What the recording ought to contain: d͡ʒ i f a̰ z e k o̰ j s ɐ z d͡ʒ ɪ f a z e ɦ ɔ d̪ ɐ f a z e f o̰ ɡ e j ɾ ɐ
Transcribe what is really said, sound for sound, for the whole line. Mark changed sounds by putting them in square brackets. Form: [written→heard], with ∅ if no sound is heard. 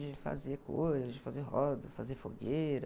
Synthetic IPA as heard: d͡ʒ [i→ɪ] f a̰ z e k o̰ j [s→z] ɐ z d͡ʒ ɪ f a z e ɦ ɔ d̪ ɐ f a z e f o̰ ɡ e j ɾ ɐ